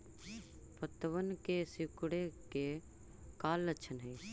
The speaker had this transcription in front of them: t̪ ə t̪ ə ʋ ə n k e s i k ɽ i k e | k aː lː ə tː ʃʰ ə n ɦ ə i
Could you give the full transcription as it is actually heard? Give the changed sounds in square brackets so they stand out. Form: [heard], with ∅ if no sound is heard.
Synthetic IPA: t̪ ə t̪ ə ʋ ə n k e s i k ɽ [e] k e | k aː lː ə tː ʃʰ ə n ɦ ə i